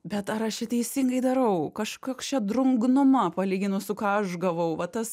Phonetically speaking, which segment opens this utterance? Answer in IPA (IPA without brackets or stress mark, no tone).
bʲ